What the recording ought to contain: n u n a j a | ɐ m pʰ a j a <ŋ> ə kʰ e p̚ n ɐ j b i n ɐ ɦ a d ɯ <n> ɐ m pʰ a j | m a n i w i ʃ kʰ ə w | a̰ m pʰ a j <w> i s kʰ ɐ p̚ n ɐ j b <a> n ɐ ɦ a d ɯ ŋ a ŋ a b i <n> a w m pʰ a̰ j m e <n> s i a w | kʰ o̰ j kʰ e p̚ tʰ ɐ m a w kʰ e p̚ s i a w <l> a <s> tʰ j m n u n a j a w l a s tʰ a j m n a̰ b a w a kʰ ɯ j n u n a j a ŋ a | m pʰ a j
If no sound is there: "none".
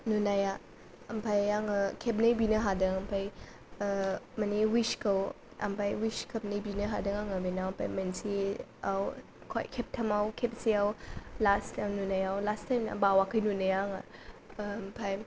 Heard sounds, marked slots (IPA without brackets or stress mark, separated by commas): ŋ, ŋ, w, i, n, n, l, s